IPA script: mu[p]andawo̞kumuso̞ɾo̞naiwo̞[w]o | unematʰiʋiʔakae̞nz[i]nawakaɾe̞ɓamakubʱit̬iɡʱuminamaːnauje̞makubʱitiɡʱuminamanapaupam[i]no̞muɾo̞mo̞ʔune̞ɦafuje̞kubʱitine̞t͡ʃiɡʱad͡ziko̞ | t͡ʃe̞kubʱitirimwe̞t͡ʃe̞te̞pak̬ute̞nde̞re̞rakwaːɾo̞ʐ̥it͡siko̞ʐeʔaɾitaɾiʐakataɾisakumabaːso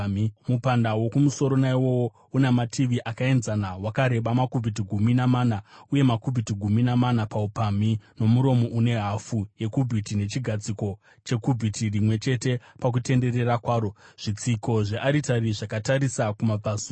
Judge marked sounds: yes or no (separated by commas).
yes, yes, no, yes